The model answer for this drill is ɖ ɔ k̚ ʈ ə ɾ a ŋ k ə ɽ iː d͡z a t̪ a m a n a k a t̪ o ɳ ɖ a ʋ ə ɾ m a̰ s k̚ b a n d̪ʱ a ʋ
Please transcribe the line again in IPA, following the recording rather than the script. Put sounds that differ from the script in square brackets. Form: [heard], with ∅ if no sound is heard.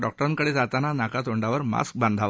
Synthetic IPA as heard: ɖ ɔ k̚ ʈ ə ɾ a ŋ k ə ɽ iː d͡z a t̪ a [n] a n a k a t̪ o ɳ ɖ a ʋ ə ɾ m a̰ s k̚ b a n d̪ʱ a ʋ

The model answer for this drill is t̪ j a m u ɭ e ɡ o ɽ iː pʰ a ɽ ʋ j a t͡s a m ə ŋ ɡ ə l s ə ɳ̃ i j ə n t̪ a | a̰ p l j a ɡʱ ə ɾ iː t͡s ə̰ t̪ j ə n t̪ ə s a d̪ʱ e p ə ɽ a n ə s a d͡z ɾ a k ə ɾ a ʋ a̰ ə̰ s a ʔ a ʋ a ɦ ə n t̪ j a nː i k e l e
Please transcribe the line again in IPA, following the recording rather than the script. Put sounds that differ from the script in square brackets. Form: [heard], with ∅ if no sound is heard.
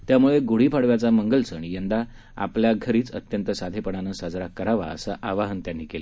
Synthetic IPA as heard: t̪ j a m u ɭ e ɡ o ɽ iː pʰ a ɽ ʋ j a t͡s a m ə ŋ ɡ ə l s ə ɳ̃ i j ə n [d̪] a | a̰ p l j a ɡʱ ə ɾ iː t͡s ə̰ t̪ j ə n t̪ ə s a d̪ʱ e p ə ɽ a n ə s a d͡z ɾ a k ə ɾ a ʋ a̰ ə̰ s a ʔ a ʋ a ɦ ə n t̪ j a nː i k e l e

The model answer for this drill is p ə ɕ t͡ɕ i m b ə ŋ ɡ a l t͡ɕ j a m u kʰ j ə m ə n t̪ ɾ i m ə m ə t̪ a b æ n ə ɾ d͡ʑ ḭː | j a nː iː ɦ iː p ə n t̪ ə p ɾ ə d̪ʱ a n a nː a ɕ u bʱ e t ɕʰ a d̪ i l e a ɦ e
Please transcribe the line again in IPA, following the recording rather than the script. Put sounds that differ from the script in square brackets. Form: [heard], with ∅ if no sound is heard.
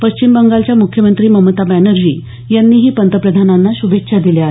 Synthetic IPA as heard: p ə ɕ t͡ɕ i m b ə ŋ ɡ a l t͡ɕ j a m u kʰ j ə m ə n t̪ ɾ [iː] m ə m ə t̪ a b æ n ə ɾ d͡ʑ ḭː | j a nː iː ɦ iː p ə n t̪ ə p ɾ ə d̪ʱ a n a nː a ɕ u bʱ e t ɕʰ a d̪ i l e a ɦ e

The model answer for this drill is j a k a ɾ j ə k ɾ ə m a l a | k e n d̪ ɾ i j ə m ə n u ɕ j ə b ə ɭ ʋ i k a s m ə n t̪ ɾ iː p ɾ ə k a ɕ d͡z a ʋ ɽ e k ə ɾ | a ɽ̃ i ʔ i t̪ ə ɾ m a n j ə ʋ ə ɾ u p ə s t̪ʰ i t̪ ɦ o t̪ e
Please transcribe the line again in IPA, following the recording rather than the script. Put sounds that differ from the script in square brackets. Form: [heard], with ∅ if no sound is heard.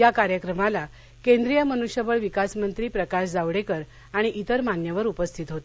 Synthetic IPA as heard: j a k a ɾ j ə k ɾ ə m a l a | k e n d̪ ɾ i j ə m ə n u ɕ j ə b ə ɭ ʋ i k a s m ə n t̪ ɾ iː p ɾ ə k a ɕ d͡z a ʋ ɽ e k ə ɾ | a ɽ̃ i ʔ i t̪ ə ɾ m a n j ə ʋ ə ɾ u p ə s t̪ʰ i t̪ ɦ o t̪ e

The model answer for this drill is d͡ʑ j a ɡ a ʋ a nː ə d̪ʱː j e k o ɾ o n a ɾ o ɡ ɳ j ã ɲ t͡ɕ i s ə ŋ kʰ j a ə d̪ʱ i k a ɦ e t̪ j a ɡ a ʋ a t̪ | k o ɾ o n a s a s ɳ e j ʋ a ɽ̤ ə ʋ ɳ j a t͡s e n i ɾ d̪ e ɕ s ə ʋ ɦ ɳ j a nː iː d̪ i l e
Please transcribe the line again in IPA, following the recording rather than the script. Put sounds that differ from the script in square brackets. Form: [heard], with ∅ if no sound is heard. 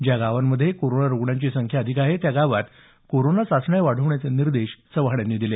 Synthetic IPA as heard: d͡ʑ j a ɡ a ʋ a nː ə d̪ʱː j e k o ɾ o n a ɾ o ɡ ɳ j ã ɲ t͡ɕ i s ə ŋ kʰ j a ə d̪ʱ i k a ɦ e t̪ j a ɡ a ʋ a t̪ | k o ɾ o n a s a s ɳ [a] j ʋ a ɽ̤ ə ʋ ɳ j a t͡s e n i ɾ d̪ e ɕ s ə ʋ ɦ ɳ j a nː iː d̪ i l e

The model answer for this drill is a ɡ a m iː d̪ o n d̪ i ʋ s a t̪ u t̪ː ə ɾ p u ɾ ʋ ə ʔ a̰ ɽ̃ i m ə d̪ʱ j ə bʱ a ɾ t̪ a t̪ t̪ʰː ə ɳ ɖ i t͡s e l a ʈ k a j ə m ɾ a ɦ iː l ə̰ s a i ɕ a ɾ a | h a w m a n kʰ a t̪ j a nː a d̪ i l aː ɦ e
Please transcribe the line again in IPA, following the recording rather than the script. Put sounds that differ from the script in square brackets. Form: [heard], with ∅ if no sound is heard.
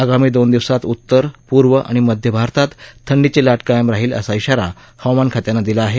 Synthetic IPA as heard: a ɡ a m iː d̪ o n d̪ i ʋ s a t̪ u t̪ː ə ɾ p u ɾ ʋ ə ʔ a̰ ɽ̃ i m ə d̪ʱ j ə bʱ a ɾ t̪ a t̪ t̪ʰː ə ɳ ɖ i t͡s e l a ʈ k a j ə m ɾ a ɦ iː l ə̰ s a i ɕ a ɾ a | h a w m a n kʰ a t̪ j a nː a d̪ i l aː ɦ e

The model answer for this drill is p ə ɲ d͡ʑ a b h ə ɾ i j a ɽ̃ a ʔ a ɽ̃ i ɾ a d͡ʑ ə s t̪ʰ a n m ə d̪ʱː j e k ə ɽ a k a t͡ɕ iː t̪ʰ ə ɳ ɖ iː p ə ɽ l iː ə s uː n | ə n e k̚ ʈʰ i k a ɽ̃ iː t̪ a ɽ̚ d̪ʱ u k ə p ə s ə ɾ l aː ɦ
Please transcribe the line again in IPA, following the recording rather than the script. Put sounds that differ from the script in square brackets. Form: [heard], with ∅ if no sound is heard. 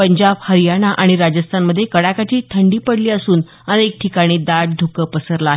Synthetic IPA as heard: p ə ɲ d͡ʑ a b h ə ɾ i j a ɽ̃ a ʔ a ɽ̃ i ɾ a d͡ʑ ə s t̪ʰ a n m ə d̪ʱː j e k ə ɽ a k a t͡ɕ iː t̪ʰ ə ɳ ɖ iː p ə ɽ l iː ə s uː n | ə n e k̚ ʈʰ i k a ɽ̃ iː [d̪] a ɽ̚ d̪ʱ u k ə p ə s ə ɾ l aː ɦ

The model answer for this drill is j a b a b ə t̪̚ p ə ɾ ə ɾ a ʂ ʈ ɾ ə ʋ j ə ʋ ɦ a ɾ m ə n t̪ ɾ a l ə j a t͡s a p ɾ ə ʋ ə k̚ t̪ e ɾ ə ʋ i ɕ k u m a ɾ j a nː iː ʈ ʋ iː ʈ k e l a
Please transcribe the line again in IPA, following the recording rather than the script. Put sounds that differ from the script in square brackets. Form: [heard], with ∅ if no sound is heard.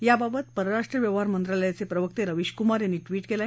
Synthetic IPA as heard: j a b a b ə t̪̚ p ə ɾ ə ɾ a ʂ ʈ ɾ ə ʋ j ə ʋ ɦ a ɾ m ə n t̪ ɾ a l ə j a t͡s [e] p ɾ ə ʋ ə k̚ t̪ e ɾ ə ʋ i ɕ k u m a ɾ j a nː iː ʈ ʋ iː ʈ k e l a

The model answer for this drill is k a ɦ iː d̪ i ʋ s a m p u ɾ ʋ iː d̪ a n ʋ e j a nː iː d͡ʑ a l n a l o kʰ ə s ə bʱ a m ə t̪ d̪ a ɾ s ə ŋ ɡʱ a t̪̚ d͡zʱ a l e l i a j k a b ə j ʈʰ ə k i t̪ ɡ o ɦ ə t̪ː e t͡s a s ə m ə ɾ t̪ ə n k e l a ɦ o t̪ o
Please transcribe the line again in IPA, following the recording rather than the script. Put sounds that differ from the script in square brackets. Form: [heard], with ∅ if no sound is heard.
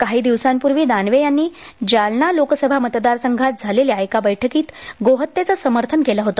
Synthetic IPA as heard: k a ɦ iː d̪ i ʋ s a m p u ɾ ʋ iː d̪ a n ʋ e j a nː iː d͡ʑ a l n a l o [k] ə s ə bʱ a m ə t̪ d̪ a ɾ s ə ŋ ɡʱ a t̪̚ d͡zʱ a l e l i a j k a b ə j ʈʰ ə k [iː] t̪ ɡ o ɦ ə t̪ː e t͡s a s ə m ə ɾ [t̪ʰ] ə n k e l a ɦ o t̪ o

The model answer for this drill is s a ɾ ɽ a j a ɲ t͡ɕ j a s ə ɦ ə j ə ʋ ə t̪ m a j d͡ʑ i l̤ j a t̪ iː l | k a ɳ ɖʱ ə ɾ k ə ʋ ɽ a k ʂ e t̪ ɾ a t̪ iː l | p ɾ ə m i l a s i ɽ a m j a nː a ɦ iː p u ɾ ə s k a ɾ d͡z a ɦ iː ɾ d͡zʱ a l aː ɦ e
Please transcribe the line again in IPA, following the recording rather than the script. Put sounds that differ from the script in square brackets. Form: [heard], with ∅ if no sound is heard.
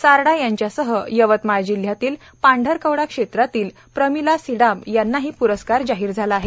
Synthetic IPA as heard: s a ɾ ɽ a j a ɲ t͡ɕ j a s ə ɦ ə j ə ʋ ə t̪ m a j d͡ʑ i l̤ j a t̪ iː l | [p] a ɳ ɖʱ ə ɾ k ə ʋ ɽ a k ʂ e t̪ ɾ a t̪ iː l | p ɾ ə m i l a s i ɽ a m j a nː a ɦ iː p u ɾ ə s k a ɾ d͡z a ɦ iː ɾ d͡zʱ a l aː ɦ e

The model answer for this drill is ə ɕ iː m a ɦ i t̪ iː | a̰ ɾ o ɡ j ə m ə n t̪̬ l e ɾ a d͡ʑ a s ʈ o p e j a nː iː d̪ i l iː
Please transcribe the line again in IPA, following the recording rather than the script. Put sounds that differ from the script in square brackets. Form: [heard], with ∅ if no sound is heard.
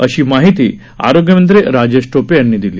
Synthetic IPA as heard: ə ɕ iː m a ɦ i t̪ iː | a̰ ɾ o ɡ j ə m ə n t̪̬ [ɾ] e ɾ a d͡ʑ [e] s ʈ o p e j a nː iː d̪ i l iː

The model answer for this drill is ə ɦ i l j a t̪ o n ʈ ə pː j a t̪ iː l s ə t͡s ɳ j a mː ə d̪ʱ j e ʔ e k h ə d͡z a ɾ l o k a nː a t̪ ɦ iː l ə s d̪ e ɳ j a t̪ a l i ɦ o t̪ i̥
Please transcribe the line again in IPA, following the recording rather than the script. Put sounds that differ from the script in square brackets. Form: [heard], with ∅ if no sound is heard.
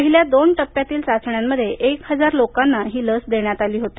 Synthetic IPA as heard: ə ɦ i l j a [d̪] o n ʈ ə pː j a t̪ iː l s [a] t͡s ɳ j a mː ə d̪ʱ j e ʔ e k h ə d͡z a ɾ l o k a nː a [∅] ɦ iː l ə s d̪ e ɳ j a t̪ a l [iː] ɦ o t̪ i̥

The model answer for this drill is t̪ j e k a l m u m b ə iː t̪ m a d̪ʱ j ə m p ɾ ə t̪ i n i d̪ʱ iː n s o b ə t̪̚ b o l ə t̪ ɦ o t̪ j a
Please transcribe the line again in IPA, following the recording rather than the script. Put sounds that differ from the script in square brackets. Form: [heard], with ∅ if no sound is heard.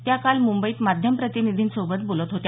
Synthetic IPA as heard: t̪ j [a] k a l m u m b ə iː t̪ m a d̪ʱ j ə m p ɾ ə t̪ i n i d̪ʱ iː n s o b ə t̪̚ b o l ə t̪ ɦ o t̪ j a

